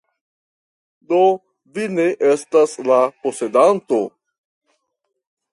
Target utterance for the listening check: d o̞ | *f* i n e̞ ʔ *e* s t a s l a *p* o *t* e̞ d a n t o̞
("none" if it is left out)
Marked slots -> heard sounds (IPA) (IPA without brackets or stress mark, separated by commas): v, e, p, s